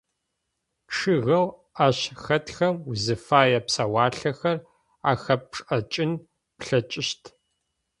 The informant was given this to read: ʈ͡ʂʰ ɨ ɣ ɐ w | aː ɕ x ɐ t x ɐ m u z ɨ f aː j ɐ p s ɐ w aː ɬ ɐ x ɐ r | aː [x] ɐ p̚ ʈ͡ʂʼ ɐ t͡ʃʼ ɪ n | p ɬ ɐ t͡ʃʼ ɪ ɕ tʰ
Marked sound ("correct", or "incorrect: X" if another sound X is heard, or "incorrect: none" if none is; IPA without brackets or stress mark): correct